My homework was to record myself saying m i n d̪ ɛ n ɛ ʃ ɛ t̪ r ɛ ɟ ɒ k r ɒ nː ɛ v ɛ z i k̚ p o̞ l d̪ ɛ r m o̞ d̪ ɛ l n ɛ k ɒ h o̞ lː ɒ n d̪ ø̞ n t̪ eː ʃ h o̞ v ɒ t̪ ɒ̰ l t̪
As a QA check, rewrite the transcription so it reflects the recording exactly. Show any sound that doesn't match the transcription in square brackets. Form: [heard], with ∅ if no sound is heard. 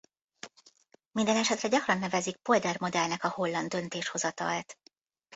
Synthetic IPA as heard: m i n d̪ ɛ n ɛ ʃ ɛ t̪ r ɛ ɟ ɒ k r ɒ nː ɛ v ɛ z i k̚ p o̞ l d̪ ɛ r m o̞ d̪ ɛ l n ɛ k ɒ h o̞ lː ɒ n d̪ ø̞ n t̪ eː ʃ h o̞ [z] ɒ t̪ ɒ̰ l t̪